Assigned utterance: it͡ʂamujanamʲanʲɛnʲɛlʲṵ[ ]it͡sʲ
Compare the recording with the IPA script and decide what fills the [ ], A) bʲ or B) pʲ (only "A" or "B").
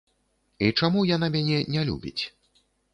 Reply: A